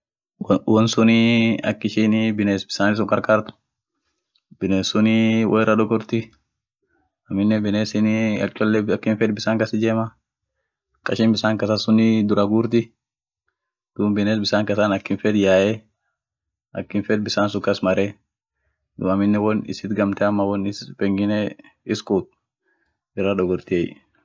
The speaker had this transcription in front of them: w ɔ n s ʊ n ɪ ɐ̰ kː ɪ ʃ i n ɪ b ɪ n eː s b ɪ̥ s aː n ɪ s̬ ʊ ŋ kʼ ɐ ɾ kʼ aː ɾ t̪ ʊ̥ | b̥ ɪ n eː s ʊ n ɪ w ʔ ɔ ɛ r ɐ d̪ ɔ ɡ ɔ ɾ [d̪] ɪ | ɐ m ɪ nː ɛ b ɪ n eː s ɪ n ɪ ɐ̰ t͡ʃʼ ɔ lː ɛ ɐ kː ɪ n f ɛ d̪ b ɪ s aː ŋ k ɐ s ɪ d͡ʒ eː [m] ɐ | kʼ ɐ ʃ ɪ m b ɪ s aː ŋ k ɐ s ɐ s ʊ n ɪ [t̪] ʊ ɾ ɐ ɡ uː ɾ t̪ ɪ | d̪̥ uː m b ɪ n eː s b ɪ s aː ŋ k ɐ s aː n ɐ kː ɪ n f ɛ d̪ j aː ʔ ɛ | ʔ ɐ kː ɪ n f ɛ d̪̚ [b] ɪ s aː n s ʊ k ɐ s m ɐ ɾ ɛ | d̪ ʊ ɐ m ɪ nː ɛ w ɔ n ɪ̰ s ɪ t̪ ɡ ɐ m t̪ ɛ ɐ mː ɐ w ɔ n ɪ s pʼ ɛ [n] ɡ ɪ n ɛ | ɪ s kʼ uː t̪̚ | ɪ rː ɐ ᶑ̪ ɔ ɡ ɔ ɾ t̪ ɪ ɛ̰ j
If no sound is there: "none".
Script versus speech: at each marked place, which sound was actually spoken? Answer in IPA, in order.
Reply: t̪, m, d̪, b, ŋ

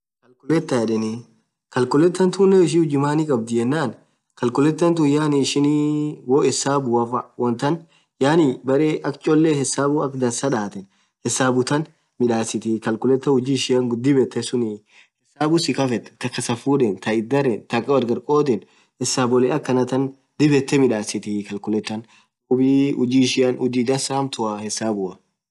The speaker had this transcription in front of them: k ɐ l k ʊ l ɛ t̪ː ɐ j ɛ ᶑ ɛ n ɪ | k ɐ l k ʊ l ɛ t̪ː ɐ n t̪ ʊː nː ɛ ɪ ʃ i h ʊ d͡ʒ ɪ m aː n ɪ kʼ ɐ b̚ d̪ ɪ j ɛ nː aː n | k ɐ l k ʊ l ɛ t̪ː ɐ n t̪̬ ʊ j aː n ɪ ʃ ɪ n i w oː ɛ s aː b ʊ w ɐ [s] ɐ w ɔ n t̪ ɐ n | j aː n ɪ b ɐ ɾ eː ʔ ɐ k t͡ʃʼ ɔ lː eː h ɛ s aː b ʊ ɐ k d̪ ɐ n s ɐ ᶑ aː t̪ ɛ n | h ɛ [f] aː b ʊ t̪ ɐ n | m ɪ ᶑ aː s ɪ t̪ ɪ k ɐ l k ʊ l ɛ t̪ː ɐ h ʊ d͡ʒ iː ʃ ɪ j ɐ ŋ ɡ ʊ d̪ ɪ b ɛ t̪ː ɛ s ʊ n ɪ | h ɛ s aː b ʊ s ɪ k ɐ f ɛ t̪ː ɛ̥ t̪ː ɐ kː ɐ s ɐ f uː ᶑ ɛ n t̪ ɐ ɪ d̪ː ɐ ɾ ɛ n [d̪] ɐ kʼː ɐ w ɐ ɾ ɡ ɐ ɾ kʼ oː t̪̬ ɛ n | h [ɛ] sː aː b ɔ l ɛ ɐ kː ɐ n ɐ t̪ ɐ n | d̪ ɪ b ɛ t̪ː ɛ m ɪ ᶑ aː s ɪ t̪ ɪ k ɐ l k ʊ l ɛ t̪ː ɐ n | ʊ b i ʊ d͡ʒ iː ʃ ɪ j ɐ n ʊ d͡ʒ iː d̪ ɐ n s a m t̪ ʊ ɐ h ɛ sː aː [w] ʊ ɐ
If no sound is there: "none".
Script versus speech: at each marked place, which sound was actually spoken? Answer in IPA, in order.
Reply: f, s, t̪, ɛ, b

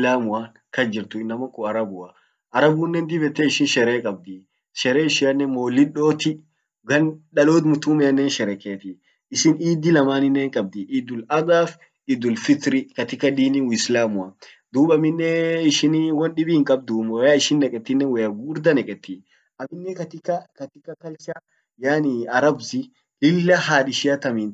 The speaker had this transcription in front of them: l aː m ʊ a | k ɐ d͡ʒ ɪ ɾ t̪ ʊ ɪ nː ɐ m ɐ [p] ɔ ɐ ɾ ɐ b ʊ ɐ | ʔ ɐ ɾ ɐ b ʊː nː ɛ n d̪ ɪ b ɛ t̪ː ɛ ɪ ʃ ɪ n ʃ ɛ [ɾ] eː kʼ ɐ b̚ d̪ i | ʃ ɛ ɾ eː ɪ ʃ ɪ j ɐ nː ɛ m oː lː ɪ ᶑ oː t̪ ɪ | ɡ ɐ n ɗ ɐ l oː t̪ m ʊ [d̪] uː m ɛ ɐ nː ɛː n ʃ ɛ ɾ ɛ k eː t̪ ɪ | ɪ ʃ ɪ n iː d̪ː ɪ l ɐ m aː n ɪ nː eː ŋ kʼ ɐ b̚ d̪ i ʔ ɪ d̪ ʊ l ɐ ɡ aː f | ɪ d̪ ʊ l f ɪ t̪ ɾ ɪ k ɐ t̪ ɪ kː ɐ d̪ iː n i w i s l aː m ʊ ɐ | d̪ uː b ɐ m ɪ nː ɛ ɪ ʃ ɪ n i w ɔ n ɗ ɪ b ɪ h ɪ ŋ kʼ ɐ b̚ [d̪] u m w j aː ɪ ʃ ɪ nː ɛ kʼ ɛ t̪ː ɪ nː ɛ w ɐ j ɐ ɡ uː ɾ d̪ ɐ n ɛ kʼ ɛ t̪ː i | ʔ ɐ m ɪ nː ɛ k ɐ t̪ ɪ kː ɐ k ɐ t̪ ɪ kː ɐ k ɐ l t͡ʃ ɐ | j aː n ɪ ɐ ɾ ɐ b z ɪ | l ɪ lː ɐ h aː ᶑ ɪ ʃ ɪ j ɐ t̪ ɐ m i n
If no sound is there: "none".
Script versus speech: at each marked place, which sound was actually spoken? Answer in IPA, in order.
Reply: k, ɾ, t̪, d̪

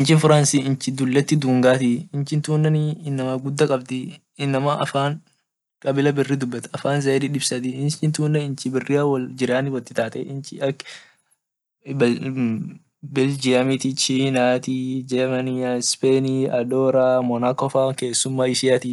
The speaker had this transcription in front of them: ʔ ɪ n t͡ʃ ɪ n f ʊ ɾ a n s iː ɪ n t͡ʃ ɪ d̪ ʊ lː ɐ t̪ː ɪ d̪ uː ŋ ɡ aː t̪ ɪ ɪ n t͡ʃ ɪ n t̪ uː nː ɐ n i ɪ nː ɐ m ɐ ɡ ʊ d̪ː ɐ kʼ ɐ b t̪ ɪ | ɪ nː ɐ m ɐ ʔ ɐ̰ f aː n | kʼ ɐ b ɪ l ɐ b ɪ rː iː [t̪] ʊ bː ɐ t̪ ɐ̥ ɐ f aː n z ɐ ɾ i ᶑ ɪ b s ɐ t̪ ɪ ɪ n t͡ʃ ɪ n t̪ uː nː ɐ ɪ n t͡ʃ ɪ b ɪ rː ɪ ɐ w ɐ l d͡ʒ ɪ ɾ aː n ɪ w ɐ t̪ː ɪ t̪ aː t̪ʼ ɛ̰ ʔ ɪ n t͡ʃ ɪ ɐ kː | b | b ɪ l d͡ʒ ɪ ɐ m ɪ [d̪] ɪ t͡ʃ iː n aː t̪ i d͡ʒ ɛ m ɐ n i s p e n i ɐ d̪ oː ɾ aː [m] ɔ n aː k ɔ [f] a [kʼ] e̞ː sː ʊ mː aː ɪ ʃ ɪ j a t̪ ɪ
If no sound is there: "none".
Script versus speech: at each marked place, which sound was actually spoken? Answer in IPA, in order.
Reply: d̪, t̪, m, f, k

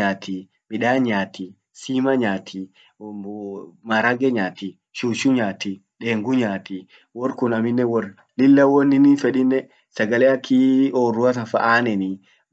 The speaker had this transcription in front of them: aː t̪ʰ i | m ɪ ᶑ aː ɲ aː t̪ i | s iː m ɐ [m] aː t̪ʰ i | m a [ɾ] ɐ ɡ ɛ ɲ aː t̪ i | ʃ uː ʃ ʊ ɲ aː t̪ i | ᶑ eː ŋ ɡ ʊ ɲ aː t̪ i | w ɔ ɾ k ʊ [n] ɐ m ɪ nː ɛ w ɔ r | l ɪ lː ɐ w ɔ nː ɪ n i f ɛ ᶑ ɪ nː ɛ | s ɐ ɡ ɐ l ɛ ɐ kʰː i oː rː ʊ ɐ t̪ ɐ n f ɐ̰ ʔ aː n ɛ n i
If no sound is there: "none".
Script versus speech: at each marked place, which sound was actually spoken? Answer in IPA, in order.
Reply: ɲ, ɾ, n

